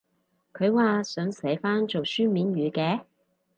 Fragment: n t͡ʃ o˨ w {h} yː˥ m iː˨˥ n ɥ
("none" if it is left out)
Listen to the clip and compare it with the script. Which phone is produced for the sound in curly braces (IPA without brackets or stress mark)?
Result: s